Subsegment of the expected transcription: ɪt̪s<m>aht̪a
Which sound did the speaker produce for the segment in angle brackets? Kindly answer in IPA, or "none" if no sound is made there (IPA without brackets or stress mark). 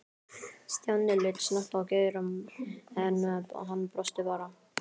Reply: n